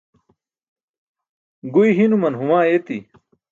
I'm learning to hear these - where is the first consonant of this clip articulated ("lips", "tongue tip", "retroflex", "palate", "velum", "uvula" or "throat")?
velum